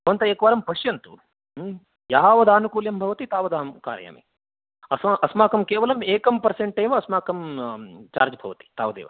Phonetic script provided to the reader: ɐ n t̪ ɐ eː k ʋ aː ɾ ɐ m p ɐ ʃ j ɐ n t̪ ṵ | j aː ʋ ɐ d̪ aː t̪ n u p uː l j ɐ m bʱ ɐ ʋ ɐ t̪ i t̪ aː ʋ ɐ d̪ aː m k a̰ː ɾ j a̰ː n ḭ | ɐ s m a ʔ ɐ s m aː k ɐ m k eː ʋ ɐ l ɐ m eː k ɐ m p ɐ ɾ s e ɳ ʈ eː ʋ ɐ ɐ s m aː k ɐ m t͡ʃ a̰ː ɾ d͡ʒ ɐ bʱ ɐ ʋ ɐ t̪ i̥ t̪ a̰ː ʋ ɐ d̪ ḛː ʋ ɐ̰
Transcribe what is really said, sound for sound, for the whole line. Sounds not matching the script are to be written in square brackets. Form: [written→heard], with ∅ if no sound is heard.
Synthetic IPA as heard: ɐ n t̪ ɐ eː k ʋ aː ɾ ɐ m p ɐ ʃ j ɐ n t̪ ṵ | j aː ʋ ɐ d̪ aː [t̪→∅] n u [p→k] uː l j ɐ m bʱ ɐ ʋ ɐ t̪ i t̪ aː ʋ ɐ d̪ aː m k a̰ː ɾ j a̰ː [n→m] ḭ | ɐ s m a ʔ ɐ s m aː k ɐ m k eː ʋ ɐ l ɐ m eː k ɐ m p ɐ ɾ s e ɳ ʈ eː ʋ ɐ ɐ s m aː k ɐ m t͡ʃ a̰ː ɾ d͡ʒ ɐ bʱ ɐ ʋ ɐ t̪ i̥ t̪ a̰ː ʋ ɐ d̪ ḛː ʋ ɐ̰